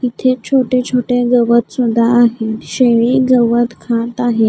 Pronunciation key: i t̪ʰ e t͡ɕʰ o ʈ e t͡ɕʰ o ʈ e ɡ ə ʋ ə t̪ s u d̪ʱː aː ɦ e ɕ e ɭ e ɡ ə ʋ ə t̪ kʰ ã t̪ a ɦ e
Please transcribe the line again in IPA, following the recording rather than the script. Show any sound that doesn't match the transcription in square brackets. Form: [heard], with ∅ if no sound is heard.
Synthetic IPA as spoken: i t̪ʰ e t͡ɕʰ o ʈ e t͡ɕʰ o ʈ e ɡ ə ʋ ə t̪ s u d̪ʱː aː ɦ e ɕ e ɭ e ɡ ə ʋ ə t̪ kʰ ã t̪ a ɦ e